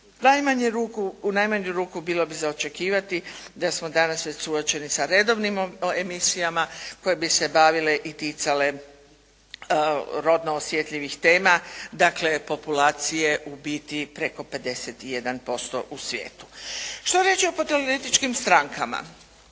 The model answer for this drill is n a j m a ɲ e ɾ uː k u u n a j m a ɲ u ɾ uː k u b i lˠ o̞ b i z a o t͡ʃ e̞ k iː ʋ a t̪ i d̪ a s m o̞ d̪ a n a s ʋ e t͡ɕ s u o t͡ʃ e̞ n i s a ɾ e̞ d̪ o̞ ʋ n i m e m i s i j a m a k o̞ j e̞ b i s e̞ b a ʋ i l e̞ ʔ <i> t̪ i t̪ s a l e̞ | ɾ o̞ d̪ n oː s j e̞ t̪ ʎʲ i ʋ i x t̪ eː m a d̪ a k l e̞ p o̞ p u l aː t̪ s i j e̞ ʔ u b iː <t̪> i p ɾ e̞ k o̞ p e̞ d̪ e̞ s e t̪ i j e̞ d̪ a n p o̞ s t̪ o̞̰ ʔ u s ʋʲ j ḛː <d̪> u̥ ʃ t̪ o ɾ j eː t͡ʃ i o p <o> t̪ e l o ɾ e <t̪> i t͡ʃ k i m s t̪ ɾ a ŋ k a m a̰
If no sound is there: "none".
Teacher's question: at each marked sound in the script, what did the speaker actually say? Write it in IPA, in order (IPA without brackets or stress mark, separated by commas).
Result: i, t̪, t̪, o, t̪